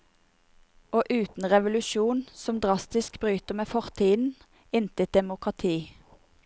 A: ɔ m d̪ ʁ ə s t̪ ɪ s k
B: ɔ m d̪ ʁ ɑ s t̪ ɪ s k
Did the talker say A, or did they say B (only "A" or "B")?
B